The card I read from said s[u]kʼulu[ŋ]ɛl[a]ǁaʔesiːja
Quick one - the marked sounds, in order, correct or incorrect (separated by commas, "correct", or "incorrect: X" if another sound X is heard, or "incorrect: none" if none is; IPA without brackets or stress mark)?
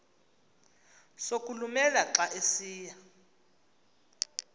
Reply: incorrect: o, incorrect: m, correct